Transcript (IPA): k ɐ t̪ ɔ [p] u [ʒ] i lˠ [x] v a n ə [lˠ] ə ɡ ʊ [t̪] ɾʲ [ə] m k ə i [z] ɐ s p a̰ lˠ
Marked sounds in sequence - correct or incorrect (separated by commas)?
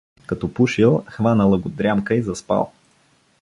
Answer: correct, incorrect, correct, correct, incorrect, incorrect, correct